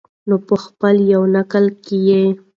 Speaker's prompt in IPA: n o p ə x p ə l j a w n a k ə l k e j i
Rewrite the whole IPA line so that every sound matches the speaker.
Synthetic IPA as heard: n o p ə x p ə l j a w n a k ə l k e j e